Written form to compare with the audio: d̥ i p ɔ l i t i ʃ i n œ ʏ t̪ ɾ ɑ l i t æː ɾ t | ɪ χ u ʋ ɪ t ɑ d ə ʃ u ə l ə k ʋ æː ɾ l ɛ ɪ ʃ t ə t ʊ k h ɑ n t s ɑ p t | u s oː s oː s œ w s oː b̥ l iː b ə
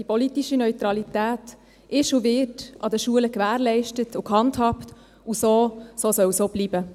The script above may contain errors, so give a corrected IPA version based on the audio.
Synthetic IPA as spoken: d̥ i p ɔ l i t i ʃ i n œ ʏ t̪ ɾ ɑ l i t æː t | ɪ ʃ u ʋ ɪ t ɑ d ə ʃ u ə l ə k ʋ æː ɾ l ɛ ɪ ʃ t ə t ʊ k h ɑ n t h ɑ p t | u s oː s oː s œ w s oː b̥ l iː b ə